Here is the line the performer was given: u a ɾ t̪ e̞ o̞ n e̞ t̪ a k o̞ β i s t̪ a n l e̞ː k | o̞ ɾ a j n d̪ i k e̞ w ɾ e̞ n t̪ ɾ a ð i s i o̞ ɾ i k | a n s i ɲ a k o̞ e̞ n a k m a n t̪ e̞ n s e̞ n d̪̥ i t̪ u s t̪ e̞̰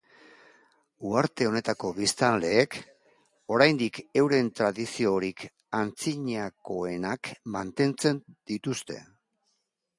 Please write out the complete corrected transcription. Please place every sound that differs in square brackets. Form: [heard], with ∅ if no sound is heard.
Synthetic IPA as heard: u a ɾ t̪ e̞ o̞ n e̞ t̪ a k o̞ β i s t̪ a n l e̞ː k | o̞ ɾ a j n d̪ i k e̞ w ɾ e̞ n t̪ ɾ a ð i s i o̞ ɾ i k | a n [t͡s] i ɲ a k o̞ e̞ n a k m a n t̪ e̞ n [t͡s] e̞ n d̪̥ i t̪ u s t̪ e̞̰